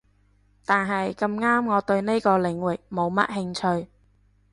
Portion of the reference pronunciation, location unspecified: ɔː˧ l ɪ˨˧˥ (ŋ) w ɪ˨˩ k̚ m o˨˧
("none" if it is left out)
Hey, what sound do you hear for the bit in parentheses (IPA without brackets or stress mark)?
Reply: ŋ